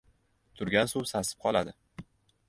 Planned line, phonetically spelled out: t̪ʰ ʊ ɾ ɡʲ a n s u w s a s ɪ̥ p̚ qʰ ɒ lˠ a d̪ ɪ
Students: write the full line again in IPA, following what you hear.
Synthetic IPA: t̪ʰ ʊ ɾ ɡʲ a n s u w s a s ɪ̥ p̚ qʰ ɒ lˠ a d̪ ɪ